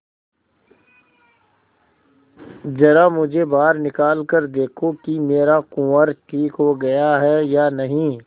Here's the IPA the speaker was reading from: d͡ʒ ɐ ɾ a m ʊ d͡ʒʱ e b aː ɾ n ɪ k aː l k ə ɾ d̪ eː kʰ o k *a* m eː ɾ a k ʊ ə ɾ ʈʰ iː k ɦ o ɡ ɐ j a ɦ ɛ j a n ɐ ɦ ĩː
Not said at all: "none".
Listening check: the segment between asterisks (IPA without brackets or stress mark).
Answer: i